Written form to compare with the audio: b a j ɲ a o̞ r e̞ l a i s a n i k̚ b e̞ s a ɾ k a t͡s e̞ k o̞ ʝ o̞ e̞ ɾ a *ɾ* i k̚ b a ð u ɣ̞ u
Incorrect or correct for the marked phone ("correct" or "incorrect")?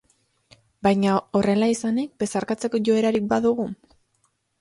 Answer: correct